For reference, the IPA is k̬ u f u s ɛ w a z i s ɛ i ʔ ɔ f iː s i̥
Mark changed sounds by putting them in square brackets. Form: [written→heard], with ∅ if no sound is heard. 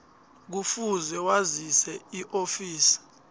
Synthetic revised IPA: k̬ u f u [s→z] ɛ w a z i s ɛ i ʔ [ɔ→o] f iː s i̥